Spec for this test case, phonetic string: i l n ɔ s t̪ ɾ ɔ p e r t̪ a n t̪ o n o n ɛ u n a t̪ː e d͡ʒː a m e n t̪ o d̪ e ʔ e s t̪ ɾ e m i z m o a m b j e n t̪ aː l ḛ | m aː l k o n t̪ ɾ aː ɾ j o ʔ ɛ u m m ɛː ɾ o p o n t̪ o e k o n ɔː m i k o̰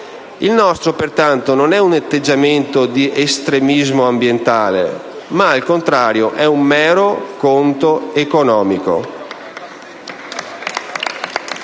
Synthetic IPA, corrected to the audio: i l n ɔ s t̪ ɾ o p e r t̪ a n t̪ o n o n ɛ u n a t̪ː e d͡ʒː a m e n t̪ o d̪ i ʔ e s t̪ ɾ e m i z m o a m b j e n t̪ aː l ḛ | m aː l k o n t̪ ɾ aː ɾ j o ʔ ɛ u m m ɛː ɾ o k o n t̪ o e k o n ɔː m i k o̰